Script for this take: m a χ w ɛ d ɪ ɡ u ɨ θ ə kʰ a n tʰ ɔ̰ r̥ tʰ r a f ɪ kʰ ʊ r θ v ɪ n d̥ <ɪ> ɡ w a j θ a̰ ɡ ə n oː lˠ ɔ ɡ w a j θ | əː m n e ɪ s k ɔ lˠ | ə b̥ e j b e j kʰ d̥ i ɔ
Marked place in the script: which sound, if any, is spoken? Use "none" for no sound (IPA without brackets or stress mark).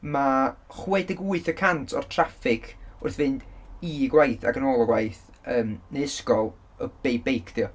i